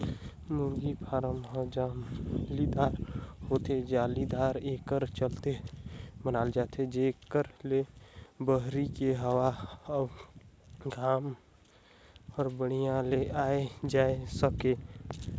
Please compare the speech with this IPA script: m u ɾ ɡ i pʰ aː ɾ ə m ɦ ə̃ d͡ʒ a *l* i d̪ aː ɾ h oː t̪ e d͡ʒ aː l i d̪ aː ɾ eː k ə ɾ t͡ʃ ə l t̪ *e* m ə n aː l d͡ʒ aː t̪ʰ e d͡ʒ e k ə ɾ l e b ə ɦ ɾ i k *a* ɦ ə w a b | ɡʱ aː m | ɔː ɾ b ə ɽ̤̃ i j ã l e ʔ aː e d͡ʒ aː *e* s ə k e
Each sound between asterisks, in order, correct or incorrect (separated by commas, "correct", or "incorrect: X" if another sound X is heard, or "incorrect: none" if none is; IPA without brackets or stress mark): correct, correct, incorrect: e, correct